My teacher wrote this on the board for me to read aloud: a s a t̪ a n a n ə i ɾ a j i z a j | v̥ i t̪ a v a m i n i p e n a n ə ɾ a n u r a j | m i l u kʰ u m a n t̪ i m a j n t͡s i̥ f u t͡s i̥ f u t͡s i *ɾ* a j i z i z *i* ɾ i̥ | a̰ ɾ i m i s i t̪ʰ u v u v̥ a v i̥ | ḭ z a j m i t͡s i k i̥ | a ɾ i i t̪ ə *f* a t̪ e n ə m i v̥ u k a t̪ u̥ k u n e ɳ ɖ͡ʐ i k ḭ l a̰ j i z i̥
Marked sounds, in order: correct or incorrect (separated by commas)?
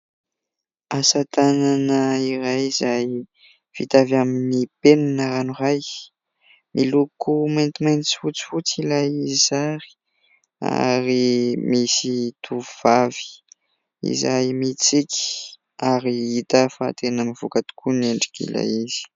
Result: incorrect, incorrect, correct